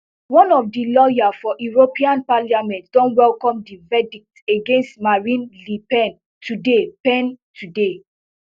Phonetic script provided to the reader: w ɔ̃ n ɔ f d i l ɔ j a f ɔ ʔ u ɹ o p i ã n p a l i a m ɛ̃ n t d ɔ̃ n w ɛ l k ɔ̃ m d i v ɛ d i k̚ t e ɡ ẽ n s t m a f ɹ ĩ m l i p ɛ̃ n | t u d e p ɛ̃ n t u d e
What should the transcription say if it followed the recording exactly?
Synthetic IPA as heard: w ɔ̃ n ɔ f d i l ɔ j a f ɔ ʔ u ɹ o p i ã n p a l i a m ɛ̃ n t d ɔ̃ n w ɛ l k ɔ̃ m d i v ɛ d i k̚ t e ɡ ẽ n s t m a ɹ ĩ n l i p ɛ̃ n | t u d e p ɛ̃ n t u d e